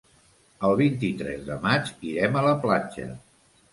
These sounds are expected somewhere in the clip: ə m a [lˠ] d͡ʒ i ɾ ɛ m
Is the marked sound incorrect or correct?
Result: incorrect